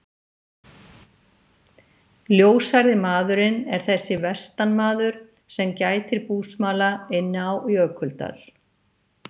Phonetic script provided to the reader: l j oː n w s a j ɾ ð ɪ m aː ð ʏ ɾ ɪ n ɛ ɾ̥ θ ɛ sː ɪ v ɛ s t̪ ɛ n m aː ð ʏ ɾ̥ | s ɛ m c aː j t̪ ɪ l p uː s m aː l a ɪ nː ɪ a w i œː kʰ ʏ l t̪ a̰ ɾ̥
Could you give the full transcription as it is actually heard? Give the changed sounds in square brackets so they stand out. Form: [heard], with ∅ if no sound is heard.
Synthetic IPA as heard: l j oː [∅] w s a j ɾ ð ɪ m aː ð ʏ ɾ ɪ n ɛ ɾ̥ θ ɛ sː ɪ v ɛ s t̪ [a] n m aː ð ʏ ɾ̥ | s ɛ m c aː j t̪ ɪ [ɾ] p uː s m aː l a ɪ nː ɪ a w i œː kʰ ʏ l t̪ a̰ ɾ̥